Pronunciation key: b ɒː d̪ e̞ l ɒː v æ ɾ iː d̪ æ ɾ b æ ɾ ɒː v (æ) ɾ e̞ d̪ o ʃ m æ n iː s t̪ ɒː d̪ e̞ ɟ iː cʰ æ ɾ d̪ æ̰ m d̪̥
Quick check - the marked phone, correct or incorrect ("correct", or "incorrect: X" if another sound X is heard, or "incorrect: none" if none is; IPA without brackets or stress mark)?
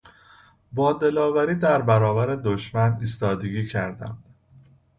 correct